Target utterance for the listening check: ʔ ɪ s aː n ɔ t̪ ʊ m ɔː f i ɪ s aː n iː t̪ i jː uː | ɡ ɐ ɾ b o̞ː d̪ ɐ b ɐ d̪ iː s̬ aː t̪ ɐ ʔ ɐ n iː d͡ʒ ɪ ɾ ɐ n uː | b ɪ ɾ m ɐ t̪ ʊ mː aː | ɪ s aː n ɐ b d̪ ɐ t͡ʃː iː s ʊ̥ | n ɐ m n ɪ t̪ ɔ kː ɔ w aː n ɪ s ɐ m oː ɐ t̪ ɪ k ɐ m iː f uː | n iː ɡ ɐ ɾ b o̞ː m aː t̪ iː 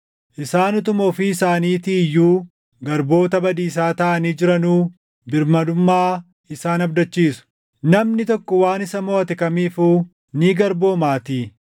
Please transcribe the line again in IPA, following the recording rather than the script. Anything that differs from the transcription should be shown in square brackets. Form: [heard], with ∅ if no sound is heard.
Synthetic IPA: ʔ ɪ s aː n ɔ t̪ ʊ m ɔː f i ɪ s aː n iː t̪ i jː uː | ɡ ɐ ɾ b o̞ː [t̪] ɐ b ɐ d̪ iː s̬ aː t̪ ɐ ʔ ɐ n iː d͡ʒ ɪ ɾ ɐ n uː | b ɪ ɾ m ɐ [d̪] ʊ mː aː | ɪ s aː n ɐ b d̪ ɐ t͡ʃː iː s ʊ̥ | n ɐ m n ɪ t̪ ɔ kː ɔ w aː n ɪ s ɐ m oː ɐ t̪ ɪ k ɐ m iː f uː | n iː ɡ ɐ ɾ b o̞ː m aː t̪ iː

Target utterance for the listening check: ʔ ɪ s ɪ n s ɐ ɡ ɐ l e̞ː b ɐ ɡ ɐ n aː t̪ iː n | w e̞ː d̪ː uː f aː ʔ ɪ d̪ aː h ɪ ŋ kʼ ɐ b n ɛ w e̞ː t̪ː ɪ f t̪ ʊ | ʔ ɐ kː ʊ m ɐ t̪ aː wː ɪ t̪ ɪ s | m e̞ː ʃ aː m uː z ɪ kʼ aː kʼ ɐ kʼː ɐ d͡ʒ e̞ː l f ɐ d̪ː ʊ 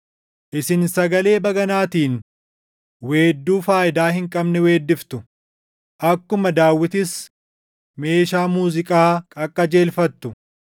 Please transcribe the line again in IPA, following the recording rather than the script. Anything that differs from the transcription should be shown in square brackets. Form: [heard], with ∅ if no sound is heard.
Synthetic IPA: ʔ ɪ s ɪ n s ɐ ɡ ɐ l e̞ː b ɐ ɡ ɐ n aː t̪ iː n | w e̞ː d̪ː uː f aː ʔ ɪ d̪ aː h ɪ ŋ kʼ ɐ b n ɛ w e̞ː [d̪ː] ɪ f t̪ ʊ | ʔ ɐ kː ʊ m ɐ [d̪] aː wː ɪ t̪ ɪ s | m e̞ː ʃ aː m uː z ɪ kʼ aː kʼ ɐ kʼː ɐ d͡ʒ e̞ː l f ɐ [t̪ː] ʊ

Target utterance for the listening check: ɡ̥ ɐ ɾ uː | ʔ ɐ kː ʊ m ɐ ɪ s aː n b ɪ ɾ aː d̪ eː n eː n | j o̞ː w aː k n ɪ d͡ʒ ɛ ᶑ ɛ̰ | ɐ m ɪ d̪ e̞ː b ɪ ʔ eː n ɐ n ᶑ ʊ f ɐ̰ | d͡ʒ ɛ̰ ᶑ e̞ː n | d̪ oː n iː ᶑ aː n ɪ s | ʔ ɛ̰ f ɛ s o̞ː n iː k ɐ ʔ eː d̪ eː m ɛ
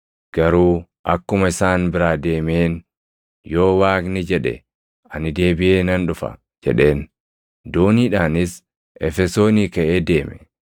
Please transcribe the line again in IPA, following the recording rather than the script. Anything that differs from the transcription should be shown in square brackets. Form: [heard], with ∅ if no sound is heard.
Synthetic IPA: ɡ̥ ɐ ɾ uː | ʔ ɐ kː ʊ m ɐ ɪ s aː n b ɪ ɾ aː d̪ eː [m] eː n | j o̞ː w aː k n ɪ d͡ʒ ɛ ᶑ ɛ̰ | ɐ [n] ɪ d̪ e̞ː b ɪ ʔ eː n ɐ n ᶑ ʊ f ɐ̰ | d͡ʒ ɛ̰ ᶑ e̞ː n | d̪ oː n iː ᶑ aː n ɪ s | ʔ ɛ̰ f ɛ s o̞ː n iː k ɐ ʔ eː d̪ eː m ɛ

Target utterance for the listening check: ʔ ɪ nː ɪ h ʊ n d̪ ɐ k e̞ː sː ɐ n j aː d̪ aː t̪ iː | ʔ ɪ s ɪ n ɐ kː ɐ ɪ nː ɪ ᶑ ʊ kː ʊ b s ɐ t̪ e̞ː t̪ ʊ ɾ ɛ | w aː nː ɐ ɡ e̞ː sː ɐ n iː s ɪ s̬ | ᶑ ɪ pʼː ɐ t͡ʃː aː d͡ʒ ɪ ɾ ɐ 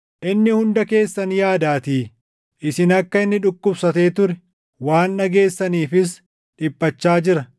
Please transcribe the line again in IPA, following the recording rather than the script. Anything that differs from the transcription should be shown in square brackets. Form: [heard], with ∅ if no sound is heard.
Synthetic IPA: ʔ ɪ nː ɪ h ʊ n d̪ ɐ k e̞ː sː ɐ n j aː d̪ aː t̪ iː | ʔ ɪ s ɪ n ɐ kː ɐ ɪ nː ɪ ᶑ ʊ kː ʊ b s ɐ t̪ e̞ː t̪ ʊ ɾ ɛ | w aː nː ɐ ɡ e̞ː sː ɐ n iː [f] ɪ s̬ | ᶑ ɪ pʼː ɐ t͡ʃː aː d͡ʒ ɪ ɾ ɐ

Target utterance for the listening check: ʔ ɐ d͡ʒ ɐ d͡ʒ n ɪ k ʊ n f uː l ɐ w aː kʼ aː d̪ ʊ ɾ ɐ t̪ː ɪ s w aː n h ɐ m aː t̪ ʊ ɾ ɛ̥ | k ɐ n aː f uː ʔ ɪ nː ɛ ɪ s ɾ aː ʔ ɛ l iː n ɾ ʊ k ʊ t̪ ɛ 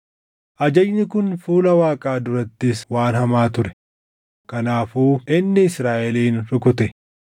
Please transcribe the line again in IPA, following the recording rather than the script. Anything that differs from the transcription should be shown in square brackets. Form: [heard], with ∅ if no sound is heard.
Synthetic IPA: ʔ ɐ d͡ʒ ɐ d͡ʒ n ɪ k ʊ n f uː l ɐ w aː kʼ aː d̪ ʊ ɾ ɐ t̪ː ɪ s w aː n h ɐ m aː t̪ ʊ ɾ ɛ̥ | k ɐ n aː f uː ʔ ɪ nː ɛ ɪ s ɾ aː ʔ ɛ l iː n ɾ ʊ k ʊ t̪ ɛ

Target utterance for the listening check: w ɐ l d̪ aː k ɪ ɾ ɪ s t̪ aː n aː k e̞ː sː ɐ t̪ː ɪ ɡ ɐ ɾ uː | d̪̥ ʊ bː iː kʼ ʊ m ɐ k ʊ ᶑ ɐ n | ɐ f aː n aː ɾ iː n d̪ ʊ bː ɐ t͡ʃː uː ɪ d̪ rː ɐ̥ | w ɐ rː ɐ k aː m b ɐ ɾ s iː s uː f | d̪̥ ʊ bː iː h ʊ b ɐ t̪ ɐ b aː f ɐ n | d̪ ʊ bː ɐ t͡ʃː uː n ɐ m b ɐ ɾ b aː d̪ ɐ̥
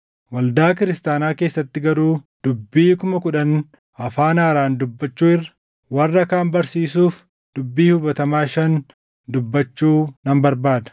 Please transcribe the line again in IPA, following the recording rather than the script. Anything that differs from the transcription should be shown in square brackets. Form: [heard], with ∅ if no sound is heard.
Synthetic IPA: w ɐ l d̪ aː k ɪ ɾ ɪ s t̪ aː n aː k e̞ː sː ɐ t̪ː ɪ ɡ ɐ ɾ uː | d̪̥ ʊ bː iː [k] ʊ m ɐ k ʊ ᶑ ɐ n | ɐ f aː n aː ɾ [aː] n d̪ ʊ bː ɐ t͡ʃː uː ɪ [∅] rː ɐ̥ | w ɐ rː ɐ k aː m b ɐ ɾ s iː s uː f | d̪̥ ʊ bː iː h ʊ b ɐ t̪ ɐ [m] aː [ʃ] ɐ n | d̪ ʊ bː ɐ t͡ʃː uː n ɐ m b ɐ ɾ b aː d̪ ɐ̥

